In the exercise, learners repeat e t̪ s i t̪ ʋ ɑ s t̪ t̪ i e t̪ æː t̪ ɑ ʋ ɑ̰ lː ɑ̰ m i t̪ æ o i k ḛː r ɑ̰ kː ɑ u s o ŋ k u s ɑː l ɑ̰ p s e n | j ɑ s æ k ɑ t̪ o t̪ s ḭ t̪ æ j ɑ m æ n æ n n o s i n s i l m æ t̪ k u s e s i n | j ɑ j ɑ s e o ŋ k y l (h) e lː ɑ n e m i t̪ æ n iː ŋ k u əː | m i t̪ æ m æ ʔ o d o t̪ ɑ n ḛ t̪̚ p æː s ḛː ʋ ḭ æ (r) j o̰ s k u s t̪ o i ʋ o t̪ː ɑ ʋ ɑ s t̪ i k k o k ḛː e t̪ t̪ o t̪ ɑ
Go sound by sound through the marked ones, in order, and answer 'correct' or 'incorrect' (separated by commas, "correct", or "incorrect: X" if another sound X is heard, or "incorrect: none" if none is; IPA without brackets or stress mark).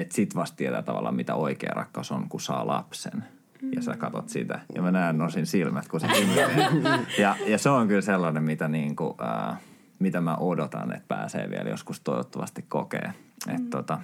incorrect: s, incorrect: l